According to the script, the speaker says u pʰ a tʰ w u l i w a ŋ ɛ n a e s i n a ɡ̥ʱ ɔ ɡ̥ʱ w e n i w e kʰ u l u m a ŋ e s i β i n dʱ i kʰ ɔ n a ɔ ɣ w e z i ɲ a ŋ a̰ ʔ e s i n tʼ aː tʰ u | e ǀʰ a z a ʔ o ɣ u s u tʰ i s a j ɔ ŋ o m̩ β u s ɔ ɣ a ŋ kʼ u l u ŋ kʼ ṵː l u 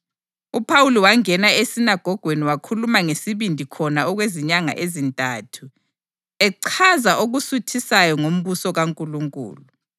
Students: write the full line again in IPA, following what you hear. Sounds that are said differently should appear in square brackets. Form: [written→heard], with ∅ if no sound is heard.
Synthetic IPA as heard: u pʰ a [tʰ→∅] w u l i w a ŋ ɛ n a e s i n a ɡ̥ʱ ɔ ɡ̥ʱ w e n i w [e→a] kʰ u l u m a ŋ e s i β i n dʱ i kʰ ɔ n a ɔ ɣ w e z i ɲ a ŋ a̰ ʔ e [s→z] i n tʼ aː tʰ u | [e→ɛ] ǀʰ a z a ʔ o ɣ u s u tʰ i s a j ɔ ŋ o m̩ β u s ɔ ɣ a ŋ kʼ u l u ŋ kʼ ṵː l u

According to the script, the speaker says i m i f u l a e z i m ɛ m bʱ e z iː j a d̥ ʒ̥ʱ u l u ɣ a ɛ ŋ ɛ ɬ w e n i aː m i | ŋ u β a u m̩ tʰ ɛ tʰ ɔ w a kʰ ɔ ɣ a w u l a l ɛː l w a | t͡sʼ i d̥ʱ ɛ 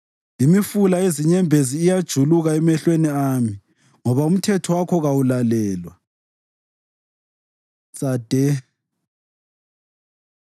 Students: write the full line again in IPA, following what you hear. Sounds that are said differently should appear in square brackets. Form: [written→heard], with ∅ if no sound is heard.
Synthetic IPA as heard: i m i f u l a e z i [m→ɲ] ɛ m bʱ e z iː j a d̥ ʒ̥ʱ u l u ɣ a ɛ [ŋ→m] ɛ ɬ w e n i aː m i | ŋ [u→ɔ] β a u m̩ tʰ ɛ tʰ ɔ w a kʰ ɔ ɣ a w u l a l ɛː l w a | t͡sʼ [i→a] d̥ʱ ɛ

